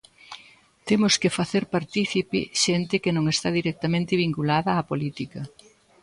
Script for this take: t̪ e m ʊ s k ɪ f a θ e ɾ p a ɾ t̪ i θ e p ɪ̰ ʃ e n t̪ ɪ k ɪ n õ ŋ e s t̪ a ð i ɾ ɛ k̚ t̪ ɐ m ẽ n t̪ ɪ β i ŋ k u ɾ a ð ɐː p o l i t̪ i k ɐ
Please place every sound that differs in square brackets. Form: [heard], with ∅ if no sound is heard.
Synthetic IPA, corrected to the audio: t̪ e m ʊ s k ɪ f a θ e ɾ p a ɾ t̪ i θ [i] p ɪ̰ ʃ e n t̪ ɪ k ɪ n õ ŋ e s t̪ a ð i ɾ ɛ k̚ t̪ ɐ m ẽ n t̪ ɪ β i ŋ k u [l] a ð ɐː p o l i t̪ i k ɐ